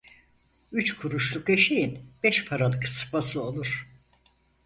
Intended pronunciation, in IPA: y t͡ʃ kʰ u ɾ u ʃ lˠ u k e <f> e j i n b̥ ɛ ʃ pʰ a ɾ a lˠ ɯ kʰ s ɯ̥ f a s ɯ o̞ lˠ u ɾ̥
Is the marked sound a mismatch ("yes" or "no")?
yes